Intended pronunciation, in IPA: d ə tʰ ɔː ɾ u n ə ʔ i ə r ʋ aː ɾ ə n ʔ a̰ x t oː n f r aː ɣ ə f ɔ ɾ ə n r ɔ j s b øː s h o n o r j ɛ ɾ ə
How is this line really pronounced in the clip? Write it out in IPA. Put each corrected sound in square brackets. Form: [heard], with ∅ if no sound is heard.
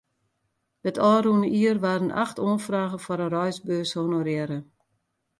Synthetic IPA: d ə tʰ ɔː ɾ u n ə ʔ i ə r ʋ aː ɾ ə n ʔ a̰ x t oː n f r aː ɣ ə f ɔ ɾ ə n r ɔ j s b øː s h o n o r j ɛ ɾ ə